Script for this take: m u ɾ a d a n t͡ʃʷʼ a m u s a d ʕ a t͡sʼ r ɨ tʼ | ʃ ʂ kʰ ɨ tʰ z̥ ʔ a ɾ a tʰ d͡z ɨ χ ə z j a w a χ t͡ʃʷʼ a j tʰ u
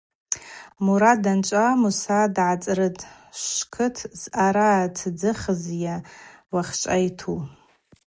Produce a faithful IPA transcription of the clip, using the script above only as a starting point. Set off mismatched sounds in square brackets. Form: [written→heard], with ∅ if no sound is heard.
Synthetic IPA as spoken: m u ɾ a d a n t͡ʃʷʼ a m u s a d ʕ a t͡sʼ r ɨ tʼ | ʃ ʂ kʰ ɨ tʰ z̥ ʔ a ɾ a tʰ d͡z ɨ χ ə z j a w a χ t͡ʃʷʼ a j tʰ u